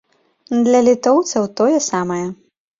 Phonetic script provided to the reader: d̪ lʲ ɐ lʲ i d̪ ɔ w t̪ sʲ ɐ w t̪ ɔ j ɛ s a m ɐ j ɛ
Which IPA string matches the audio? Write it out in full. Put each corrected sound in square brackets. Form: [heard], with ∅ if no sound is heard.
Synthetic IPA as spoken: d̪ lʲ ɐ lʲ i [t̪] ɔ w t̪ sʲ ɐ w t̪ ɔ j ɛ s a m ɐ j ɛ